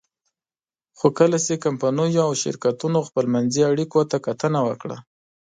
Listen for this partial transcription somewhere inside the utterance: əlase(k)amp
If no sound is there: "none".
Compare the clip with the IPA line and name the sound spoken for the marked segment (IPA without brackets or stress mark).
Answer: k